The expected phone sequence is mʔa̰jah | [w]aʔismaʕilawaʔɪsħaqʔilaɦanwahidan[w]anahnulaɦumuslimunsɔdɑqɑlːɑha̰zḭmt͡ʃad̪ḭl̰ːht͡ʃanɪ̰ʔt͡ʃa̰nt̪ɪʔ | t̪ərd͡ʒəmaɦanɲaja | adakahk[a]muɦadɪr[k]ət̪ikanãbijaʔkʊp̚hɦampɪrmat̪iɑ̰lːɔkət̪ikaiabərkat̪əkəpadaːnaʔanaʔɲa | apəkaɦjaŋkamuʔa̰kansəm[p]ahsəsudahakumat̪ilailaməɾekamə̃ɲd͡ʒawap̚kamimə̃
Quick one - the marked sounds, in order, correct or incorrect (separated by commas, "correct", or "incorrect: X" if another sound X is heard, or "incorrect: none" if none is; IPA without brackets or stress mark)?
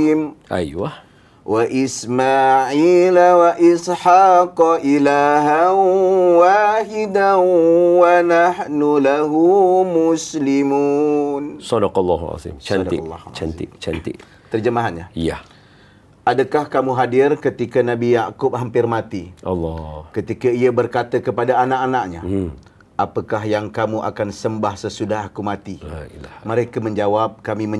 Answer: correct, correct, correct, correct, incorrect: b